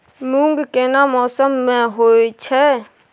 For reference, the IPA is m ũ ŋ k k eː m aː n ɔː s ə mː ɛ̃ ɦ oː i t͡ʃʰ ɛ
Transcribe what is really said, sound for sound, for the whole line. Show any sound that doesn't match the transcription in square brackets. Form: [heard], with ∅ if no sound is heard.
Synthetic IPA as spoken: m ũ ŋ [ɡ] k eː [n] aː [m] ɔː s ə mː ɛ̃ ɦ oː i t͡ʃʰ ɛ